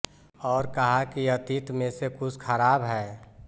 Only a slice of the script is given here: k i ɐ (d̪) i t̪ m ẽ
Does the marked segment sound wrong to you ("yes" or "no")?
yes